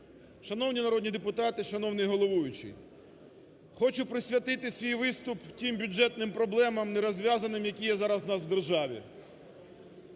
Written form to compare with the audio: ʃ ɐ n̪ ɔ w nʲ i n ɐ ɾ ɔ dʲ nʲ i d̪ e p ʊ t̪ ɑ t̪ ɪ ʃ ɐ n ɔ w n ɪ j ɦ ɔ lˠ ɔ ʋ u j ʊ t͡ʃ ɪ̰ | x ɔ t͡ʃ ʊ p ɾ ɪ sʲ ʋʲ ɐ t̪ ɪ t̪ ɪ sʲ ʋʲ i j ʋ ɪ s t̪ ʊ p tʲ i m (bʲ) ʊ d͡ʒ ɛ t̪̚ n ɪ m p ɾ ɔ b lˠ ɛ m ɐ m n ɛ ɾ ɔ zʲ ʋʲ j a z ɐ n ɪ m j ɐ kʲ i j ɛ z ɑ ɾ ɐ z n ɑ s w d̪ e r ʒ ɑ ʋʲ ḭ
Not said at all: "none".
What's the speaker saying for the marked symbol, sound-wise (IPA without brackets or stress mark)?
bʲ